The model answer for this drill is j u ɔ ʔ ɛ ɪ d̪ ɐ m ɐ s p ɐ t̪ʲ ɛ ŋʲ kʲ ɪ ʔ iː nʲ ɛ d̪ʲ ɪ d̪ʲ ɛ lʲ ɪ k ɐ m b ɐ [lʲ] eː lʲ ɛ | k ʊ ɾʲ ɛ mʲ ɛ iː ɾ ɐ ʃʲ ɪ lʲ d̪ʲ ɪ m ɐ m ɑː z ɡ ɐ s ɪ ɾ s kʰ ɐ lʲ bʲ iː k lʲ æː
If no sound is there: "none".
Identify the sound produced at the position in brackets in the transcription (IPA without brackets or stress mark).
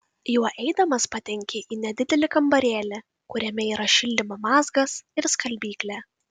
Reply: ɾʲ